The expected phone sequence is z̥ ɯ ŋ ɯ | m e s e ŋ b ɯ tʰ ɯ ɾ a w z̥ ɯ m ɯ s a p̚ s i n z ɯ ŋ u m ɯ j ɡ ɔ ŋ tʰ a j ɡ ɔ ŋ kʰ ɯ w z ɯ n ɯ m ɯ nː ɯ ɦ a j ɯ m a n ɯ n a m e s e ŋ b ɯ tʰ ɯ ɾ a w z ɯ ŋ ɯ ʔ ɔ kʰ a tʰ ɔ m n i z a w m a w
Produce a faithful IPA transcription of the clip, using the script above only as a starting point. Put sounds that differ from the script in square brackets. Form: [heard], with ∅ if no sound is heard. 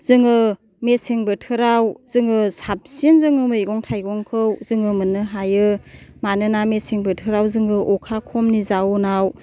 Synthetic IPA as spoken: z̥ ɯ ŋ ɯ | m e s e ŋ b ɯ tʰ ɯ ɾ a w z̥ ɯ [ŋ] ɯ s a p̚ s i n z ɯ ŋ [ɯ] m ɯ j ɡ ɔ ŋ tʰ a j ɡ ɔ ŋ kʰ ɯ w z ɯ [ŋ] ɯ m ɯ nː ɯ ɦ a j ɯ m a n ɯ n a m e s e ŋ b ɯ tʰ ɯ ɾ a w z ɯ ŋ ɯ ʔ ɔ kʰ a [kʰ] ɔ m n i z a w [n] a w

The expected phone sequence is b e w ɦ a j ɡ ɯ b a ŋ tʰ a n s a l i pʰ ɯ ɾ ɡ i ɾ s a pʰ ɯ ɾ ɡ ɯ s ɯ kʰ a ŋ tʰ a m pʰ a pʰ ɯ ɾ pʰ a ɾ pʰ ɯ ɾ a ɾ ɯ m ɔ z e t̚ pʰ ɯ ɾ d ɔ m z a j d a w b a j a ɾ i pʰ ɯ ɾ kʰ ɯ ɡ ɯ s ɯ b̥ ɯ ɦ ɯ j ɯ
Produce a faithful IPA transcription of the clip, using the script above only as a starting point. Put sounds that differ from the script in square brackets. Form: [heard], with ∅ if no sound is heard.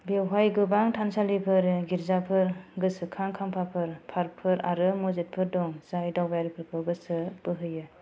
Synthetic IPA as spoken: b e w ɦ a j ɡ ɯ b a ŋ tʰ a n s a l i pʰ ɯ ɾ ɡ i ɾ [z] a pʰ ɯ ɾ ɡ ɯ s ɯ kʰ a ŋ [kʰ] a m pʰ a pʰ ɯ ɾ pʰ a ɾ pʰ ɯ ɾ a ɾ ɯ m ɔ z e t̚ pʰ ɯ ɾ d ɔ [ŋ] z a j d a w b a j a ɾ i pʰ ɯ ɾ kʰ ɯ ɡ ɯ s ɯ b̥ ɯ ɦ ɯ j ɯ

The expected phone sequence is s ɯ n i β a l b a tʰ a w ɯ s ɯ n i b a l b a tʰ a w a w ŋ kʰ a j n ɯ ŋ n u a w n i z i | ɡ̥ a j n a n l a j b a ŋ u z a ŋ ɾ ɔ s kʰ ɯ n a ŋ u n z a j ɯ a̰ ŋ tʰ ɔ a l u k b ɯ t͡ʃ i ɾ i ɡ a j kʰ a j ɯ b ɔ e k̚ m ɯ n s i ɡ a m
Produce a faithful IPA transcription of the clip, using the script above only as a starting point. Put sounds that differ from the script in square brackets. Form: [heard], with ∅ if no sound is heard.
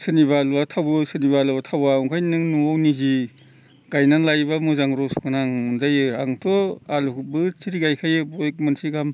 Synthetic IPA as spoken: s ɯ n i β a l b a tʰ a w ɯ s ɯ n i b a l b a tʰ a w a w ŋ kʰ a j n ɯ ŋ n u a w n i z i | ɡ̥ a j n a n l a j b a [m] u z a ŋ ɾ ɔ s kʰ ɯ n a ŋ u n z a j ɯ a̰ ŋ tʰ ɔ a l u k b ɯ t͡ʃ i ɾ i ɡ a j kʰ a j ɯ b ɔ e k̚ m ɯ n s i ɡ a m

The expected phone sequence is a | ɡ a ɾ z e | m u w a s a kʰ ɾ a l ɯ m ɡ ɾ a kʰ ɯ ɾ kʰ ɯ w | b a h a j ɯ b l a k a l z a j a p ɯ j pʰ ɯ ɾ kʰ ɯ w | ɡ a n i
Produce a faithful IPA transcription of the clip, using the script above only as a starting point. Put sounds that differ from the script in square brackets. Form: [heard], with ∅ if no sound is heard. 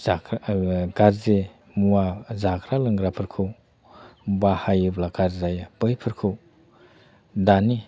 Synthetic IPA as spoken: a | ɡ a ɾ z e | m u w a [z] a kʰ ɾ a l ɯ [ŋ] ɡ ɾ a [pʰ] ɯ ɾ kʰ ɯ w | b a h a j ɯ b l a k a [ɾ] z a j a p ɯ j pʰ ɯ ɾ kʰ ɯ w | [d] a n i

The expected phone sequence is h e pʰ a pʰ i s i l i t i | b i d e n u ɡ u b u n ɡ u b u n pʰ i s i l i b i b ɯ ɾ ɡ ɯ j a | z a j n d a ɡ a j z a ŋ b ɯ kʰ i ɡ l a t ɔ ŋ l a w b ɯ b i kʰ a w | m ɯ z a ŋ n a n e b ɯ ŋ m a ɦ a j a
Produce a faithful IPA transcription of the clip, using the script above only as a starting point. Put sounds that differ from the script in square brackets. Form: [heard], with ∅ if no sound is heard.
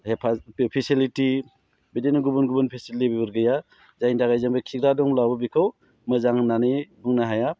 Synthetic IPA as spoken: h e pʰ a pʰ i s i l i t i | b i d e n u ɡ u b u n ɡ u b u n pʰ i s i l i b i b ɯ ɾ ɡ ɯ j a | z a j n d a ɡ a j z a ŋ b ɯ kʰ i ɡ [ɾ] a [d] ɔ ŋ l a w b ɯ b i kʰ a w | m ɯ z a ŋ n a n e b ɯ ŋ [n] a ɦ a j a

